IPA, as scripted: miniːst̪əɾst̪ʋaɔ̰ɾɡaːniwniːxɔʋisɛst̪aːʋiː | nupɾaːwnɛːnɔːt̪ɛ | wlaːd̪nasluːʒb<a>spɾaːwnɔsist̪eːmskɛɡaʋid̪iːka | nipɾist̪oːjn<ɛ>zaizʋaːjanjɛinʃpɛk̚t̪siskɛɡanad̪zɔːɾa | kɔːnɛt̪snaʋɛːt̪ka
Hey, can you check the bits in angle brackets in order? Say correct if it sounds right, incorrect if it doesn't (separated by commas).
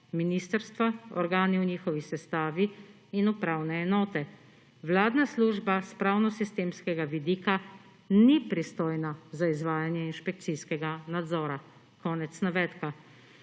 correct, incorrect